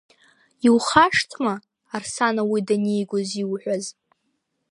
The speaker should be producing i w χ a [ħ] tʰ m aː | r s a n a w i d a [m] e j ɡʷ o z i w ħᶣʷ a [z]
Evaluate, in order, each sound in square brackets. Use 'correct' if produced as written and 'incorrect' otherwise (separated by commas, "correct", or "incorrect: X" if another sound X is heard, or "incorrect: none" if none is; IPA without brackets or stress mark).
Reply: incorrect: ʂ, incorrect: n, correct